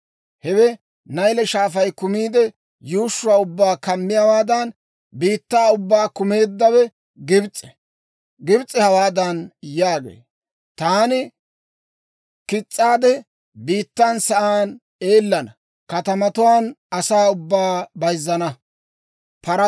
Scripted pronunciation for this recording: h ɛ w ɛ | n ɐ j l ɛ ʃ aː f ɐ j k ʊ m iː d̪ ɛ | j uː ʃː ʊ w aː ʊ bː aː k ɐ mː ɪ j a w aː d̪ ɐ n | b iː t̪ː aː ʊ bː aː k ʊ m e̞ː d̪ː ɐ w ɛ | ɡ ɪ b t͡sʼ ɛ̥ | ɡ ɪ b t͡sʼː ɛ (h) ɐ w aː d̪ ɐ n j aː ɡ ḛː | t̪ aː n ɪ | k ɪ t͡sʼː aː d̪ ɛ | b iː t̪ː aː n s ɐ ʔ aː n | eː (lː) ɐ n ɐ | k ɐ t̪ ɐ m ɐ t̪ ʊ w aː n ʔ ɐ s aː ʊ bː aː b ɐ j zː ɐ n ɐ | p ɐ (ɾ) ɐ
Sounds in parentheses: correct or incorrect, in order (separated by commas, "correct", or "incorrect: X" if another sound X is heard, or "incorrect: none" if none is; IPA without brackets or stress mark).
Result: correct, correct, correct